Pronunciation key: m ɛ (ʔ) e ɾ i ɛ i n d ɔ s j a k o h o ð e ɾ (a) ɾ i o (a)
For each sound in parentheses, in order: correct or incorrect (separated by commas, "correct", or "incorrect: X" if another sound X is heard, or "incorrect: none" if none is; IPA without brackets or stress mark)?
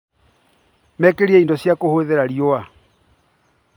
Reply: incorrect: k, correct, correct